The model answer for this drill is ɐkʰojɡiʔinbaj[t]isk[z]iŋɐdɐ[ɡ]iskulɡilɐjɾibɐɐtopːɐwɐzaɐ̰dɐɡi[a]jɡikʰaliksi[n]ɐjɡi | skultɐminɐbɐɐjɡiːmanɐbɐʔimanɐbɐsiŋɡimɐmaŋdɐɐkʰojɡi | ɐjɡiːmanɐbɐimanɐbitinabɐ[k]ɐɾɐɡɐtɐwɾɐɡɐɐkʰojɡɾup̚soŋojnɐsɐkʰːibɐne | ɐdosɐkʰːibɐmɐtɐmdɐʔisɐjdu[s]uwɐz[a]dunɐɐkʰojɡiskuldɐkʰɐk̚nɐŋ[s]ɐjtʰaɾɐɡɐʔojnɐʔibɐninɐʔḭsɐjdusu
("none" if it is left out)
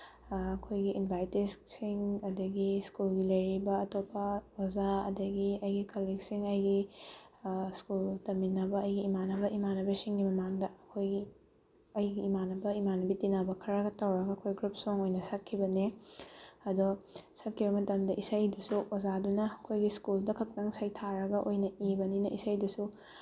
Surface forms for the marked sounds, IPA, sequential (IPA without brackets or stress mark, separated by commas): t, s, ɡ, ɐ, ŋ, kʰ, s, a, s